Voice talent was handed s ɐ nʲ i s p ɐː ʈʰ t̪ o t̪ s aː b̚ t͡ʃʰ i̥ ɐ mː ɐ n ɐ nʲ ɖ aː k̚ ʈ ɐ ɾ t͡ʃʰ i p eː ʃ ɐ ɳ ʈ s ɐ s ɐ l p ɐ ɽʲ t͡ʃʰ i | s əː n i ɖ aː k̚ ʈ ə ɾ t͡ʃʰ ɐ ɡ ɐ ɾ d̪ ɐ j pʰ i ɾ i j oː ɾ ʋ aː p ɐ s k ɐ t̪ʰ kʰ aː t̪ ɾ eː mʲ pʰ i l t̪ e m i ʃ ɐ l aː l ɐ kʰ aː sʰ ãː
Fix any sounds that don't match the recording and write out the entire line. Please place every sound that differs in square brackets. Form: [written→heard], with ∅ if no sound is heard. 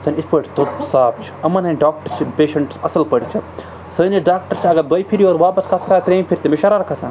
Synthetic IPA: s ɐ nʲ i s p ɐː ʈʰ t̪ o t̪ s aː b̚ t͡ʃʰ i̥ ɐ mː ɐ n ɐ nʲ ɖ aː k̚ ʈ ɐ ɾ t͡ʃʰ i p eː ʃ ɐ ɳ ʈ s ɐ s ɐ l p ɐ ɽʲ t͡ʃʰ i | s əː n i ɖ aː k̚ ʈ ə ɾ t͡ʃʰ ɐ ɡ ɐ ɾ d̪ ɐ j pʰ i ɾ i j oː ɾ ʋ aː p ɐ s k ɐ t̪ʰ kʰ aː t̪ ɾ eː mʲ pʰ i [l→ɾ] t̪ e m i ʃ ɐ [l→ɾ] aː [l→ɾ] ɐ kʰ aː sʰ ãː